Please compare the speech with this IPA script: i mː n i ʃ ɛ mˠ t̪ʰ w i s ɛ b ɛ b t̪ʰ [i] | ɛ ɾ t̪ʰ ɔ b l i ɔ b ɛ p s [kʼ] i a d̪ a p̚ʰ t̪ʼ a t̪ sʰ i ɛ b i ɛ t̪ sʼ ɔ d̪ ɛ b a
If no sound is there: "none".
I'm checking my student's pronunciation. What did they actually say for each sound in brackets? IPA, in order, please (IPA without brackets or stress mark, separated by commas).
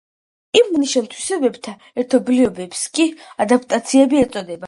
a, kʼ